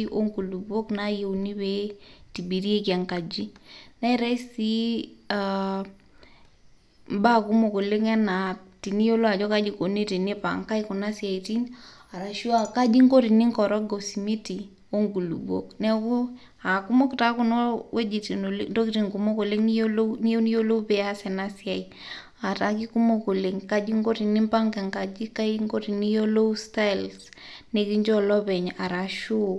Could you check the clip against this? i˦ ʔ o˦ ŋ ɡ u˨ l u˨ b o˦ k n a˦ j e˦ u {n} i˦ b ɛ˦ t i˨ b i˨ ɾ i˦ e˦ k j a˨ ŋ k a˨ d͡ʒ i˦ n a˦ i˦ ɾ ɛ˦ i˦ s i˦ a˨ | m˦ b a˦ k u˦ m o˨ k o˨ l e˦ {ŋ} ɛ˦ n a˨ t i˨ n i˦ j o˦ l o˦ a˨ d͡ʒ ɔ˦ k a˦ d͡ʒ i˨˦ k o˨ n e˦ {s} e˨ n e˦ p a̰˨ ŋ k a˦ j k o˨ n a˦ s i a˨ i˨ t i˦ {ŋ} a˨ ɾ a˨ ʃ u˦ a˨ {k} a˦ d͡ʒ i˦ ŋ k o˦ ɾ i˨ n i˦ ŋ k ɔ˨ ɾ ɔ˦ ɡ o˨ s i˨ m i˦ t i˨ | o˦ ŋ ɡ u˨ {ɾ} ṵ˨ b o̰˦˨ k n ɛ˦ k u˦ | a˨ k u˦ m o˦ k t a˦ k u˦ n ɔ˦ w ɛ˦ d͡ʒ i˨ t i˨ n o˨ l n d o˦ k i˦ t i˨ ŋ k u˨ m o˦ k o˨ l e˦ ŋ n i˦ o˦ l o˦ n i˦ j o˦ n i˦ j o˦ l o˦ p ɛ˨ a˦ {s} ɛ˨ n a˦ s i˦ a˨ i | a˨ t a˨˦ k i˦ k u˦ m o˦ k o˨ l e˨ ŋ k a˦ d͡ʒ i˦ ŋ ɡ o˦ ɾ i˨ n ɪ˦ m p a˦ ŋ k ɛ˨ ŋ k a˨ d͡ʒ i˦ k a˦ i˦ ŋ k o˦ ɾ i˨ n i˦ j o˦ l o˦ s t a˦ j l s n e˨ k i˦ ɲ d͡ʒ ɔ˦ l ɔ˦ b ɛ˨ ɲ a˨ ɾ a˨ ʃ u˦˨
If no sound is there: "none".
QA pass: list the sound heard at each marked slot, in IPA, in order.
n, ŋ, t, n, k, l, s

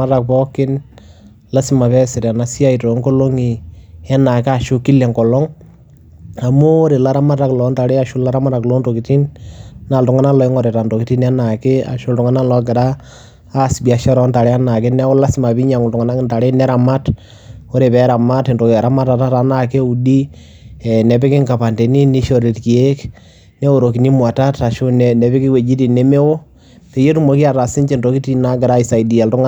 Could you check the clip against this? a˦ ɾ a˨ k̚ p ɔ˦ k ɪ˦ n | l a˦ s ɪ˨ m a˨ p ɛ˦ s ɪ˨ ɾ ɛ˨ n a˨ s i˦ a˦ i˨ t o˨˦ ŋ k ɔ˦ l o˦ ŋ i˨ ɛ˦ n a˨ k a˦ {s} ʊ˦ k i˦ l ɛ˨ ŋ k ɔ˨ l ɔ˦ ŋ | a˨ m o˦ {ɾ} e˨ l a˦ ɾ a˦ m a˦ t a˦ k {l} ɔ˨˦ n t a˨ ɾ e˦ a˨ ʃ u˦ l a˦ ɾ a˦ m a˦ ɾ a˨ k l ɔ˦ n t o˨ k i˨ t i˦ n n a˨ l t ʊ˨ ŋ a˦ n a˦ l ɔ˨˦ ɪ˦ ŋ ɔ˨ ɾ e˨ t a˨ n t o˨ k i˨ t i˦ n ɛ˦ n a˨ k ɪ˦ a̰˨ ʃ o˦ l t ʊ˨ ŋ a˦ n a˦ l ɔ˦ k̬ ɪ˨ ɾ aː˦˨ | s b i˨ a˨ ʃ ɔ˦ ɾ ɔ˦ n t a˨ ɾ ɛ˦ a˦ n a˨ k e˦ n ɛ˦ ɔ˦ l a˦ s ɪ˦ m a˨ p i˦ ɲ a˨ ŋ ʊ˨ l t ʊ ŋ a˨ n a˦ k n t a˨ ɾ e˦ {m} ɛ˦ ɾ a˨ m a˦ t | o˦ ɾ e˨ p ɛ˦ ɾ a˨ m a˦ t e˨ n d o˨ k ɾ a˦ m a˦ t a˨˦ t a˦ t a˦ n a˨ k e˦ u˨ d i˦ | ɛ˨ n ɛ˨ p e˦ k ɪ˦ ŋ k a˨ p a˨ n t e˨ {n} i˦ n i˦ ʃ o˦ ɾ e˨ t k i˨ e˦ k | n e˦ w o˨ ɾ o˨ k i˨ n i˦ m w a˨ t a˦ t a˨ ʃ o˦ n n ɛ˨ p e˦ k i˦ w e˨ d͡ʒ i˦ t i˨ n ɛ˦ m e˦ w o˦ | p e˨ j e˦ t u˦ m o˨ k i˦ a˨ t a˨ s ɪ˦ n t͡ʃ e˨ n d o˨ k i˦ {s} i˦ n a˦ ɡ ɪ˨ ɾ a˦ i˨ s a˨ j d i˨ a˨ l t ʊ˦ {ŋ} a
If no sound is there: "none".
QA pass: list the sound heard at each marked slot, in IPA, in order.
ʃ, ɾ, l, n, n, t, ŋ

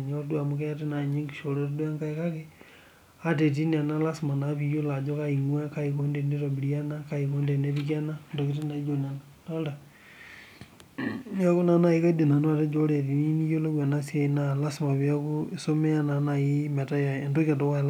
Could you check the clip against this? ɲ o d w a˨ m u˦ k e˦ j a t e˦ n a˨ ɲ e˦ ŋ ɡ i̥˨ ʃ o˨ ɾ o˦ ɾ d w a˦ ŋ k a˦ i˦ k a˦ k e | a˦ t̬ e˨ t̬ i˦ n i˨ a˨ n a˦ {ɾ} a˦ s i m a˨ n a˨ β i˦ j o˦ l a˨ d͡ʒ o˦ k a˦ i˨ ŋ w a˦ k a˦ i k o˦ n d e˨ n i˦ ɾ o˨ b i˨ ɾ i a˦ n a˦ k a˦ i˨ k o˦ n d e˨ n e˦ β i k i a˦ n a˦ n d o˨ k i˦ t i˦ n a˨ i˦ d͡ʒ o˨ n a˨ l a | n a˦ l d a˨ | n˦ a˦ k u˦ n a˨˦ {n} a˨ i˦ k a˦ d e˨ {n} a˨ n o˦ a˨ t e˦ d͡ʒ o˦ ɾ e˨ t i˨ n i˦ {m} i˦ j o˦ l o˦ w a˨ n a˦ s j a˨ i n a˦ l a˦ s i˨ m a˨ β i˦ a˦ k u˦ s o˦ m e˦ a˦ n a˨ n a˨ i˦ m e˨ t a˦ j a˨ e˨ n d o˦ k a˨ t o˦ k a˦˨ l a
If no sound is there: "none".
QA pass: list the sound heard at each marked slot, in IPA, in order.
l, n, n, n

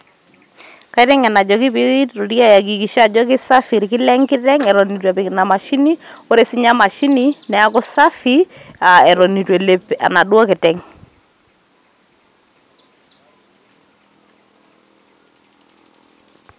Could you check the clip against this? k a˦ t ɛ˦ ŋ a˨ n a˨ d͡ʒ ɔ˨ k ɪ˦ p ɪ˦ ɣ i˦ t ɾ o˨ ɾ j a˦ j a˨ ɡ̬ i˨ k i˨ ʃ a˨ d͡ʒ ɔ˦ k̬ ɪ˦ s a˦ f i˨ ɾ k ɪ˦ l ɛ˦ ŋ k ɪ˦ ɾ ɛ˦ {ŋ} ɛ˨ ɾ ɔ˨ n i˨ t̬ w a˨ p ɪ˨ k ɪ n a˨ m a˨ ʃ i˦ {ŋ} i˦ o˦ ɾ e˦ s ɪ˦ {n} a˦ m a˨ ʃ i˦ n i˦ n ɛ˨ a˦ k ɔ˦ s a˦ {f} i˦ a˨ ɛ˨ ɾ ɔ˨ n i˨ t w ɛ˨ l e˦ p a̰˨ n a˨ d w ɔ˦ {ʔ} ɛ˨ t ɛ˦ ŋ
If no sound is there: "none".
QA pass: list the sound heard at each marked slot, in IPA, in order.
ŋ, n, ɲ, f, k

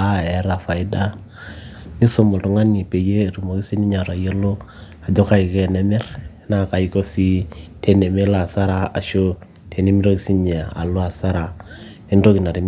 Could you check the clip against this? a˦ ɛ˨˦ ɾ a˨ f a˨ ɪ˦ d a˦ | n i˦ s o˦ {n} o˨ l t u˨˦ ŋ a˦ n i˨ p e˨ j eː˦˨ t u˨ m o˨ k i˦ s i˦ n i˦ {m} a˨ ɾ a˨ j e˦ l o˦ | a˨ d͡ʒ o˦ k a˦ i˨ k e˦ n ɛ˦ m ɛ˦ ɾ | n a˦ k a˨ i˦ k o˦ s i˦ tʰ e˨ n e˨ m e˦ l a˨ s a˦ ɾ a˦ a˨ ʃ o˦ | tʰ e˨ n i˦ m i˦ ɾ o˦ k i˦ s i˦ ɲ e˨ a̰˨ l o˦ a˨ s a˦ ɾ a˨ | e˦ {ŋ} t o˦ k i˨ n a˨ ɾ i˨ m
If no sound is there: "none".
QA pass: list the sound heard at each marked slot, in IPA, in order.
m, ɲ, n

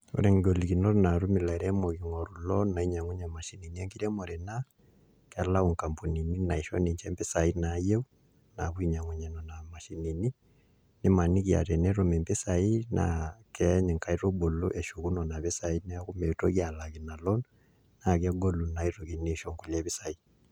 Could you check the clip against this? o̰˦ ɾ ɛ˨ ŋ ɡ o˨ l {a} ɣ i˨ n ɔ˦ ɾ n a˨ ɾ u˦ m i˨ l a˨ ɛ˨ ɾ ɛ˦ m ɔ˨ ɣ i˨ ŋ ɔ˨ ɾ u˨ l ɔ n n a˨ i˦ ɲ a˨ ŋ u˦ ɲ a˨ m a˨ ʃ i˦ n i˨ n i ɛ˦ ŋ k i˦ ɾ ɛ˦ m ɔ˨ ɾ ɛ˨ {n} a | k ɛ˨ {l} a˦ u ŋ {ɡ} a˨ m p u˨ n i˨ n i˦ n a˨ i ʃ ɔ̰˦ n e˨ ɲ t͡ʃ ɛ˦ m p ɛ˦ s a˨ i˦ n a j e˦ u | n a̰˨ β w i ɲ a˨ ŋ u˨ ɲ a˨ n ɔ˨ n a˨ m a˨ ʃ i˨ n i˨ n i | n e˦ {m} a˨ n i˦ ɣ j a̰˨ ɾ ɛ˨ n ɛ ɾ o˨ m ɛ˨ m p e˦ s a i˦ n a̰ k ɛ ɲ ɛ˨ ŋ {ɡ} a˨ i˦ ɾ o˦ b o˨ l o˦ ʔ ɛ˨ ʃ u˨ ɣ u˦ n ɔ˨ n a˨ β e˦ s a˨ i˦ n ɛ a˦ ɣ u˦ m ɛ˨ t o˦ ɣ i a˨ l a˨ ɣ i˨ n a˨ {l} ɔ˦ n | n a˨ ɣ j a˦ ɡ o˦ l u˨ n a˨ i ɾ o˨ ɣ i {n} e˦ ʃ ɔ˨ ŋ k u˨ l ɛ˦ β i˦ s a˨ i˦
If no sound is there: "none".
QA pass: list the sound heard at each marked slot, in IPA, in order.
i, n, l, k, m, k, l, n

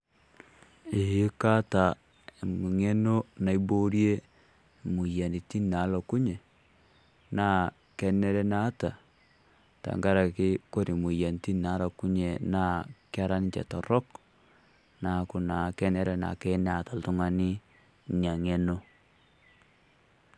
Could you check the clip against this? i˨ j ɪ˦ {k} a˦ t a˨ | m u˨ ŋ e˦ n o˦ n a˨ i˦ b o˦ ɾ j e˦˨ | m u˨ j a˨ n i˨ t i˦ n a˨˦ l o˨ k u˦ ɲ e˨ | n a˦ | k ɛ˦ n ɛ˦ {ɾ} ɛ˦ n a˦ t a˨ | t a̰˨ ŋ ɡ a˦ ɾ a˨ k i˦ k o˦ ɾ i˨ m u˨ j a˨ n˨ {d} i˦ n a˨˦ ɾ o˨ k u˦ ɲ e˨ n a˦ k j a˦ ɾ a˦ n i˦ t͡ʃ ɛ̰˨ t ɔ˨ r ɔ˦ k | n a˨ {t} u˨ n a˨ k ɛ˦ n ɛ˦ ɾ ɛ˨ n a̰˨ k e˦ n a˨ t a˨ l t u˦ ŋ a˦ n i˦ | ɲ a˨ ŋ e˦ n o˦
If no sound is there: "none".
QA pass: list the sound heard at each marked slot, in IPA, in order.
k, ɾ, t, k

